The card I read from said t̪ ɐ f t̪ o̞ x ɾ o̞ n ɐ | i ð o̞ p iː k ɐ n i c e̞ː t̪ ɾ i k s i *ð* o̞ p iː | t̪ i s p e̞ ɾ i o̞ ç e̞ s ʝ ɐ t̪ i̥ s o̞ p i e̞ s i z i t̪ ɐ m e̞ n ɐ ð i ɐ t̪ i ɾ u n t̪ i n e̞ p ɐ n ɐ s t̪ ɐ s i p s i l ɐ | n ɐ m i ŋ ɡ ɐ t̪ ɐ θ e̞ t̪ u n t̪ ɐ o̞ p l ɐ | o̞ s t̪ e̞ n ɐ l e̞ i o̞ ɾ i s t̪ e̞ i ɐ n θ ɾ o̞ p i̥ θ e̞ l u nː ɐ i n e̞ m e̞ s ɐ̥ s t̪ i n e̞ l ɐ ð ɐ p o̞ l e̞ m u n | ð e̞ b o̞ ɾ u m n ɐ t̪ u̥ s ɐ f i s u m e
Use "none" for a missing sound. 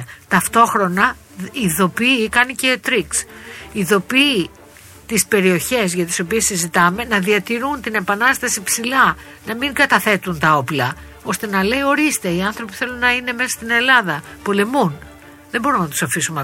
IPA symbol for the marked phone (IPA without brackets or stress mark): ð